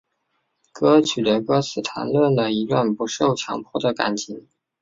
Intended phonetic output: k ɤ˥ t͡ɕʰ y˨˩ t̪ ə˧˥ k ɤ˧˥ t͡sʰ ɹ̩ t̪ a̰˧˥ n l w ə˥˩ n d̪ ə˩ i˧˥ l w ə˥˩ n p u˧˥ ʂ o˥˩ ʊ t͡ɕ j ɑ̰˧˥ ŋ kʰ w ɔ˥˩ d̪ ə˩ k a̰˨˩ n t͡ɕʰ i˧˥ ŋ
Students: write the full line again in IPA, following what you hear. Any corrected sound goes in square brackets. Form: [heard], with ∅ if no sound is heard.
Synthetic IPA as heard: k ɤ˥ t͡ɕʰ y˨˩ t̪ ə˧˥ k [ɤ˥] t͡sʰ ɹ̩ [t̪ʰ] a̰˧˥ n l w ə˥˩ n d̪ ə˩ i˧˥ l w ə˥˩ n p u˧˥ ʂ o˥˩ ʊ [t͡ɕʰ] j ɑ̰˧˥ ŋ [pʰ] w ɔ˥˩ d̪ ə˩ k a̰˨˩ n t͡ɕʰ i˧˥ ŋ